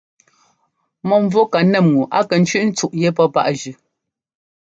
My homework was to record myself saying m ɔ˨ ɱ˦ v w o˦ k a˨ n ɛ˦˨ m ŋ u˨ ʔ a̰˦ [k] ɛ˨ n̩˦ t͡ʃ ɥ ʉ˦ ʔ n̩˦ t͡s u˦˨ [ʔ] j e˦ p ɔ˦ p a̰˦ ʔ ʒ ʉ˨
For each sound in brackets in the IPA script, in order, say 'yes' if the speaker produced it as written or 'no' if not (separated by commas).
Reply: yes, yes